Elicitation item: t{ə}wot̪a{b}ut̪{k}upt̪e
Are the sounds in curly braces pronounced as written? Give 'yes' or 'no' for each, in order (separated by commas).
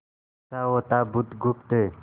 no, yes, no